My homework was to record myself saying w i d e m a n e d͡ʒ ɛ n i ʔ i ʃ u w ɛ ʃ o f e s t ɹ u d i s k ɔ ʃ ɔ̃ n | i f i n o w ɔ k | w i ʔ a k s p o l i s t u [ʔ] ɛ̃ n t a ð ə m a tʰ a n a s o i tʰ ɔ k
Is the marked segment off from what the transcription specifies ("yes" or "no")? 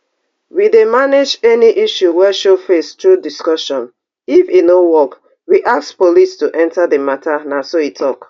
no